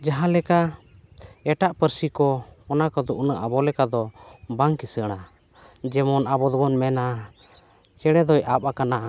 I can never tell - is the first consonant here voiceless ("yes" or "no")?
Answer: no